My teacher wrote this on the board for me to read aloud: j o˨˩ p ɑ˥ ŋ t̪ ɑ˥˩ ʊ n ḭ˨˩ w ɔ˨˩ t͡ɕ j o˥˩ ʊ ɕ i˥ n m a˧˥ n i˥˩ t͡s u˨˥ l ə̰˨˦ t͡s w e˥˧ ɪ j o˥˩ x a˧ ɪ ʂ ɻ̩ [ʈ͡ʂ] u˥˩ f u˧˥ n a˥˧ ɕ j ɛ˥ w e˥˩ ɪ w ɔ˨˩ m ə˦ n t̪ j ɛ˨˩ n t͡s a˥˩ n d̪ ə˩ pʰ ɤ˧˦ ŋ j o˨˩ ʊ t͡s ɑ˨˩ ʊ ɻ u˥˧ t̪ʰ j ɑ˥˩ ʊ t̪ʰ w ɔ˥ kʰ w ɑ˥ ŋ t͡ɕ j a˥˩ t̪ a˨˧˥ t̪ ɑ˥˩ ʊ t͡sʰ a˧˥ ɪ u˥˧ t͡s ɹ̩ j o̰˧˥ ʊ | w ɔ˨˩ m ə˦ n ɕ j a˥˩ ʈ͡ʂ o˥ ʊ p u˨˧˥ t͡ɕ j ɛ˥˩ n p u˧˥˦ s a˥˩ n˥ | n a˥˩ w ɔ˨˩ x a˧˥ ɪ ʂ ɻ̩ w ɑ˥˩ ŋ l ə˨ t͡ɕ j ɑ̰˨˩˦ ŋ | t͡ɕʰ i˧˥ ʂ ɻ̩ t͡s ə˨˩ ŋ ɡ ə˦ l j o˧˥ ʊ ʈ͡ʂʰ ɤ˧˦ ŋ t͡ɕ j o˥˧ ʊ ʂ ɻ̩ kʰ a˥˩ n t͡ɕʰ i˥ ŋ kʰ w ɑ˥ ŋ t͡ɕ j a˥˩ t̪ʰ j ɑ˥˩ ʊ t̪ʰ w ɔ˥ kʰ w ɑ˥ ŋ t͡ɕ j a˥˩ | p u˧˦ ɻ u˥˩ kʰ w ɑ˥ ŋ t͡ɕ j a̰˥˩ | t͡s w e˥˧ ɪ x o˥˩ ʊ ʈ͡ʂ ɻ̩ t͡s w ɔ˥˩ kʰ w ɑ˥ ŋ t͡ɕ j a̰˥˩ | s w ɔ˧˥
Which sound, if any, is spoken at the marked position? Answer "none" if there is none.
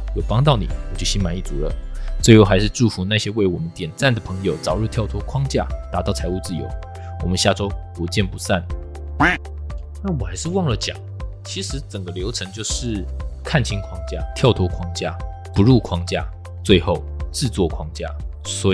ʈ͡ʂ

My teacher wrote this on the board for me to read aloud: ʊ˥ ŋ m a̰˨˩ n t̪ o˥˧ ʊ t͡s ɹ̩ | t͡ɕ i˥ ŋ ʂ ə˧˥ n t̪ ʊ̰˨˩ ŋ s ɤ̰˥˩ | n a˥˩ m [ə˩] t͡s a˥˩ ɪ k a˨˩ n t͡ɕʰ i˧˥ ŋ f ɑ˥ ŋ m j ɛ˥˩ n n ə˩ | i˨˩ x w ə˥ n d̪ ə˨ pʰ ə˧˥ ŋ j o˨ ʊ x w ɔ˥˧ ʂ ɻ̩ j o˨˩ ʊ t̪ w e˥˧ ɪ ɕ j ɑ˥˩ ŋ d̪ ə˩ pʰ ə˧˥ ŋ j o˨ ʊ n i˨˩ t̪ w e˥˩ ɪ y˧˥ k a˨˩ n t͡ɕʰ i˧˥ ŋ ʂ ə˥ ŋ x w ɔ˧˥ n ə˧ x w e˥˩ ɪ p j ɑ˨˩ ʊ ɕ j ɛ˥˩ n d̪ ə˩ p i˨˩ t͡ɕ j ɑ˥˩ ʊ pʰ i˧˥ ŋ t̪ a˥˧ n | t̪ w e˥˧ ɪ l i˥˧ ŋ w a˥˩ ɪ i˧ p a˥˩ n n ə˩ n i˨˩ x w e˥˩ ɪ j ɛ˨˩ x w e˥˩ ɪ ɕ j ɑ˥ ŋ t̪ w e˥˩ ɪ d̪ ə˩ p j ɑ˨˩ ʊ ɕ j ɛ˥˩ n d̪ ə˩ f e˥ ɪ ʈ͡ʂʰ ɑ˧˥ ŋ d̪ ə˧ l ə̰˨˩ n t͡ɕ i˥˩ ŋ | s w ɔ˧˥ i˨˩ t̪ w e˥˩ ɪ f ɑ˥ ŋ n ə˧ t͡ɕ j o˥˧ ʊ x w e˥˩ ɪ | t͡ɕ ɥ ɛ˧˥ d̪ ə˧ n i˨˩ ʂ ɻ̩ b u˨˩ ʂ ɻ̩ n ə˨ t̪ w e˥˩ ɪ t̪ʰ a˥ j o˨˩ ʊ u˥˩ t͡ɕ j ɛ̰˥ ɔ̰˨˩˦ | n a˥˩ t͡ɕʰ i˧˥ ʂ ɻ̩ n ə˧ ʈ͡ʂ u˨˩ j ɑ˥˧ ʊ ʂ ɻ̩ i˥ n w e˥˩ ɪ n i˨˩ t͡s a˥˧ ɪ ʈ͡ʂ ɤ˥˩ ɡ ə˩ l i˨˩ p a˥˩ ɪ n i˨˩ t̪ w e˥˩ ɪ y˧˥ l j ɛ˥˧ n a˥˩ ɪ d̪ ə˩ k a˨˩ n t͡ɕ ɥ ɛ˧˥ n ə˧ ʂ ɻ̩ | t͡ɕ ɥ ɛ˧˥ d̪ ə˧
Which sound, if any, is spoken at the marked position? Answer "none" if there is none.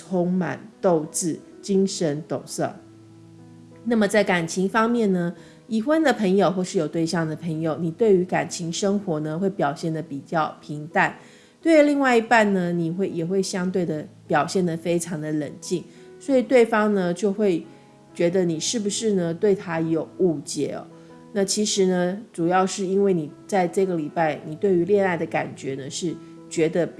ə˩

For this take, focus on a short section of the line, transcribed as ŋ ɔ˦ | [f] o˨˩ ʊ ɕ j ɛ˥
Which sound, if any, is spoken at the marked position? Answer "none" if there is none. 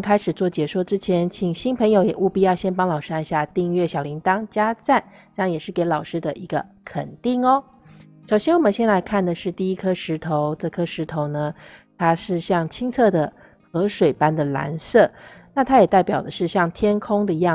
ʂ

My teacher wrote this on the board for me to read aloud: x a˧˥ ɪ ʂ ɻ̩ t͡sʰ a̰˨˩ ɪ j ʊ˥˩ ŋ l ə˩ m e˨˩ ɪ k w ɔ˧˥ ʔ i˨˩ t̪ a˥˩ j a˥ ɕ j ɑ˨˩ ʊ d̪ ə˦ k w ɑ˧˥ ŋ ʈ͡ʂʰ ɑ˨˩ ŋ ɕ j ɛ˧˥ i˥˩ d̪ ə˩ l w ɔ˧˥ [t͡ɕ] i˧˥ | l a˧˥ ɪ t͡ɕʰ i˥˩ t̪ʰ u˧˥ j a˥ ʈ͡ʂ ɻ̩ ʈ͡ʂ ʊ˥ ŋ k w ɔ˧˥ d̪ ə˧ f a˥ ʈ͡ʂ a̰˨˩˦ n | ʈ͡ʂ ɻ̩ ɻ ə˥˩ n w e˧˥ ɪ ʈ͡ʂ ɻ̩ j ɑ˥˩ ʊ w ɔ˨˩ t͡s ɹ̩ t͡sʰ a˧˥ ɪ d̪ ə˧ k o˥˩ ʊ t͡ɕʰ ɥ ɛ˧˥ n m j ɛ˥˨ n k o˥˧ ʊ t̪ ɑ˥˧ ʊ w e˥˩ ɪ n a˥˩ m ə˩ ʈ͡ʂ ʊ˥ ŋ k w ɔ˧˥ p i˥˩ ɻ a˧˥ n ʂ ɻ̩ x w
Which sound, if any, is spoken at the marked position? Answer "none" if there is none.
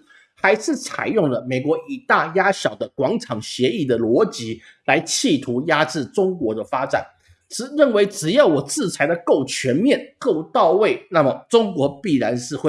t͡ɕ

